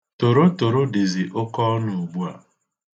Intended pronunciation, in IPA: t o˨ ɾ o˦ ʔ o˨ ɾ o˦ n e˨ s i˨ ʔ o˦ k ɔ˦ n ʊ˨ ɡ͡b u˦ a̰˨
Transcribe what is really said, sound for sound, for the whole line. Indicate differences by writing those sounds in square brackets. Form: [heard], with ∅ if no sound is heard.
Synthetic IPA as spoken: t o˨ ɾ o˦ [t] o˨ ɾ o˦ [d] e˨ [z] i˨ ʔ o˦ k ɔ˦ n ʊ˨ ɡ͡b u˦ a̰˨